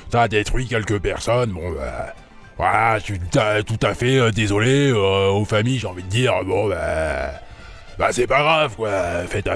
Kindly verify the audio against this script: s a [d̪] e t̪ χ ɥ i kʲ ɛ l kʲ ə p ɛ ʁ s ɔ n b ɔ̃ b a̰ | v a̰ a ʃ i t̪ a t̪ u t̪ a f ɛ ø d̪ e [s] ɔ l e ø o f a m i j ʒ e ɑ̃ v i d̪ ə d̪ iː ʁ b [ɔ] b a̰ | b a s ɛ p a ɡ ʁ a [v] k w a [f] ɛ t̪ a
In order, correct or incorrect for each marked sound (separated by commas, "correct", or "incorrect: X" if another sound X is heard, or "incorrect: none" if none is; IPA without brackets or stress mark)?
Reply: correct, incorrect: z, incorrect: ɔ̃, correct, correct